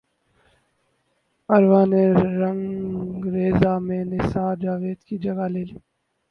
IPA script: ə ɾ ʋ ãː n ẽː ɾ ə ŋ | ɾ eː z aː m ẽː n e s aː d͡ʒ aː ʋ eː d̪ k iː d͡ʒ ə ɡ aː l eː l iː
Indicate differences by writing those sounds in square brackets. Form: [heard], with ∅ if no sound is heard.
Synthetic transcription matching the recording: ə ɾ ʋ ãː n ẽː ɾ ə ŋ | ɾ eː z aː m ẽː n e s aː d͡ʒ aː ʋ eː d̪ k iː d͡ʒ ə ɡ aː l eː l iː